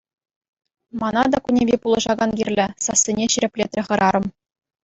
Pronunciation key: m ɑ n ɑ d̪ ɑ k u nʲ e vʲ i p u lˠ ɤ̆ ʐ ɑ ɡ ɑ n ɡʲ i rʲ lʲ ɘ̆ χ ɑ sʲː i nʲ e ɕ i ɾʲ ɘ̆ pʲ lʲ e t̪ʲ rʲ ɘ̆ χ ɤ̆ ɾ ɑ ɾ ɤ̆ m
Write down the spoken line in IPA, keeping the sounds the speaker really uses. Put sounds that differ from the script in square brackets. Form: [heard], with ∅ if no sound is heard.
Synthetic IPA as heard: m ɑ n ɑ d̪ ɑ k u nʲ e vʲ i p u lˠ ɤ̆ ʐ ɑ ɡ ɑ n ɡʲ i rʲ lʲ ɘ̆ [s] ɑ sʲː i nʲ e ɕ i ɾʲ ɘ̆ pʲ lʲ e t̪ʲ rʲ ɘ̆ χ ɤ̆ ɾ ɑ ɾ ɤ̆ m